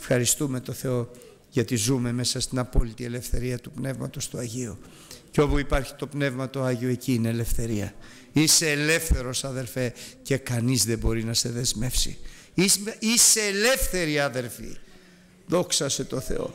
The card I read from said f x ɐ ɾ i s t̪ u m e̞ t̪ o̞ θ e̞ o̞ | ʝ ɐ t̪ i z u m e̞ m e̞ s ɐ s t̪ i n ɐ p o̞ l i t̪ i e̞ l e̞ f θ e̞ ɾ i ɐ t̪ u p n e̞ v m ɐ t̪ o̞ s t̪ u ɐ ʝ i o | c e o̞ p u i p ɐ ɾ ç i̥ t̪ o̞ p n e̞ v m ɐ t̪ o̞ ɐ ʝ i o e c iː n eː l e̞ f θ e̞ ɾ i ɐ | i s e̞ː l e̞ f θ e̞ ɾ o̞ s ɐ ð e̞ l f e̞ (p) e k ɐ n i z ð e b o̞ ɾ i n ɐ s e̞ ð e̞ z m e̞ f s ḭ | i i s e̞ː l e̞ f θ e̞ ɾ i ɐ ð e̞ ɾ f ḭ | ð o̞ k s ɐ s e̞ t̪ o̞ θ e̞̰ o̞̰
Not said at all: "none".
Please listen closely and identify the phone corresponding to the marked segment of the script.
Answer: c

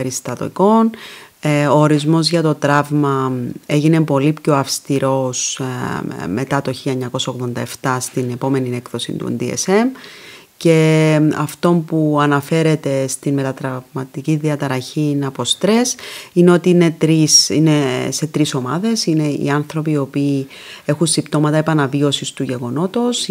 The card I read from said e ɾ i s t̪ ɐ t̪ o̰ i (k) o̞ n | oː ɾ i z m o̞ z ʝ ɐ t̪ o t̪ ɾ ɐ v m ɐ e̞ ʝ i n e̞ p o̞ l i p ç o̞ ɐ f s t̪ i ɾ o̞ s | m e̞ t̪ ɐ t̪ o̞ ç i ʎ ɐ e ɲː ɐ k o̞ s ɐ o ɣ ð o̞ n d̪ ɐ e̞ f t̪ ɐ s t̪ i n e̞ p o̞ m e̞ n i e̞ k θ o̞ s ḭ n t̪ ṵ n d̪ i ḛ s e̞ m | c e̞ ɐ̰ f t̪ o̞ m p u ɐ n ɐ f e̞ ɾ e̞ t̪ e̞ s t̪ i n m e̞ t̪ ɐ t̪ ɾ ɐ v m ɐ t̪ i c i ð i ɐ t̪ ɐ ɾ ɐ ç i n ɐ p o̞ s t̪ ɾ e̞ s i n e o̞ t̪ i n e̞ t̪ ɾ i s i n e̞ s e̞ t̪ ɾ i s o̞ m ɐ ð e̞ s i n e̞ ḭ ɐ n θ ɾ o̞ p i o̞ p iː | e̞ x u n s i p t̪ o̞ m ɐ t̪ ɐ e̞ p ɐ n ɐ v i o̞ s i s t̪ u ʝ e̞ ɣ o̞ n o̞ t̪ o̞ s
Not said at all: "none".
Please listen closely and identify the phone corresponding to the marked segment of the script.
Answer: k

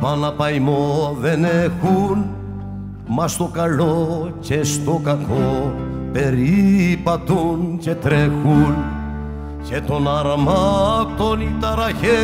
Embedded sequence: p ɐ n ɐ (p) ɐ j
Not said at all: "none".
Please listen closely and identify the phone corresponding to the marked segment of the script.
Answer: p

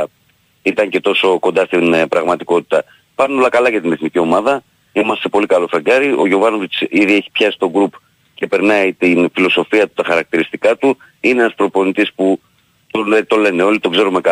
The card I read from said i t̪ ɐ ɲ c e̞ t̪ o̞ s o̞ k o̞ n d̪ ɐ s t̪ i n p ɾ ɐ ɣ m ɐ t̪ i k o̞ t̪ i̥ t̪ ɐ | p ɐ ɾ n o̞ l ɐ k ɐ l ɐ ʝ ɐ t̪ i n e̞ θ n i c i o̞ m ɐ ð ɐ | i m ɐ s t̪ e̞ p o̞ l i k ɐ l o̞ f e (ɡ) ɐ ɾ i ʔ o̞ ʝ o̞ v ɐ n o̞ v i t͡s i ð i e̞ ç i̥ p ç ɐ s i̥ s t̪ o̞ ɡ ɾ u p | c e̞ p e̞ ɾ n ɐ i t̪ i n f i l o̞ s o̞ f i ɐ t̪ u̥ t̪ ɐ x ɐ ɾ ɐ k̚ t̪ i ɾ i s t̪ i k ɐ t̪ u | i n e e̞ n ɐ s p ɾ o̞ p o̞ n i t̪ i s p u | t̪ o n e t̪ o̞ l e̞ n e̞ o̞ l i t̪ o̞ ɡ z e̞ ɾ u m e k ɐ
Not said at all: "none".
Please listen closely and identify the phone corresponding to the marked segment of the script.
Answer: ɡ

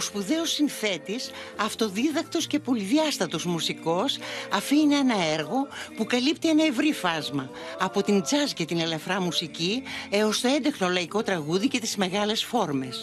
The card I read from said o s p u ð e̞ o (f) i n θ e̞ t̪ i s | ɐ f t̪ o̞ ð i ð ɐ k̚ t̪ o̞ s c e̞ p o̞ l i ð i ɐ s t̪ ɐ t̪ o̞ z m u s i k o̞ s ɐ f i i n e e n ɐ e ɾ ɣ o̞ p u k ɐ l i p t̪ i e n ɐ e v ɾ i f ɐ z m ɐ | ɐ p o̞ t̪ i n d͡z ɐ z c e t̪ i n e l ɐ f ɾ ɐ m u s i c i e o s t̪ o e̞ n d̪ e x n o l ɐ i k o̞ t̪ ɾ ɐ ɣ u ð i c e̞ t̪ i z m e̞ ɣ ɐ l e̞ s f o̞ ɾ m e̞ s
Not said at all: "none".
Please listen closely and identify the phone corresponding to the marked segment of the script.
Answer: s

